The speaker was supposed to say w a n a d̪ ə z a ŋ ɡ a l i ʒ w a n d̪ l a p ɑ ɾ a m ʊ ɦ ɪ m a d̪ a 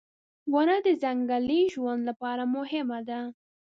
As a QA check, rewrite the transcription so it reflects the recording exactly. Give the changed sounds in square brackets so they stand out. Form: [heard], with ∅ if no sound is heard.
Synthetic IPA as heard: w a n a d̪ ə z a ŋ ɡ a l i ʒ w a n d̪ l a p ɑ ɾ a m ʊ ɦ ɪ m a d̪ a

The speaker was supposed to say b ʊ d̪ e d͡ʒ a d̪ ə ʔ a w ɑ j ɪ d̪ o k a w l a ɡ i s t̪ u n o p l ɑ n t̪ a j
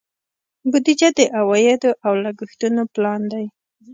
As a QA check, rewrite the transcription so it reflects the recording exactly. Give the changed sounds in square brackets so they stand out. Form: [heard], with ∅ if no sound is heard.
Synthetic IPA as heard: b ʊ d̪ [i] d͡ʒ a d̪ ə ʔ a w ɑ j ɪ d̪ o [ʔ] a w l a ɡ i [x] t̪ u n o p l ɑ n [d̪] a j

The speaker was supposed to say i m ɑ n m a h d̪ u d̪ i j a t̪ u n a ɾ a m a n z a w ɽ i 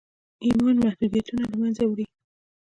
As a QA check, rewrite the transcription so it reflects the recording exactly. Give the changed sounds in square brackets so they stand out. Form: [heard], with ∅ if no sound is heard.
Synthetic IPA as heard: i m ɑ n m a h d̪ u d̪ i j a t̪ u n a [l] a m a n z a w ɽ i

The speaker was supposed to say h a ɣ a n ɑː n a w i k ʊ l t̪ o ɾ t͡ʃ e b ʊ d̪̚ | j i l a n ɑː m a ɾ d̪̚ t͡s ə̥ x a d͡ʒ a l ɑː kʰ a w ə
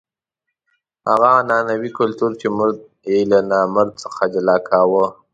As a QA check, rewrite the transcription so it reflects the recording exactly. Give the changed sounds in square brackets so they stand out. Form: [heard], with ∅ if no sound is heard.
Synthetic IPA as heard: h a ɣ a n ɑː n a w i k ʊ l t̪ [u] ɾ t͡ʃ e [m] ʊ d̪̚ | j [e] l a n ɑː m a ɾ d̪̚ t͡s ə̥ x a d͡ʒ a l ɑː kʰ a w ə

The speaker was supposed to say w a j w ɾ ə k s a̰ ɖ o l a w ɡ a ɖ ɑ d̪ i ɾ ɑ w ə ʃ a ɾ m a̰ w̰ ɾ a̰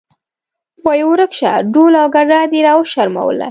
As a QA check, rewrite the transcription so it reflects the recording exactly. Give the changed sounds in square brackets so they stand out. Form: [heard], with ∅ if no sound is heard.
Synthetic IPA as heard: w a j w ɾ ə k [ʃ] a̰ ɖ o l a w ɡ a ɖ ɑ d̪ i ɾ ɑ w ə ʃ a ɾ m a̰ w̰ [l] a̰

